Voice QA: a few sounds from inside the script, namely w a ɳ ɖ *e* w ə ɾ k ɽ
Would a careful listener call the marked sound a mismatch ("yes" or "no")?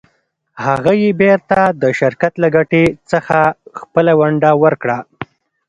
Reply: yes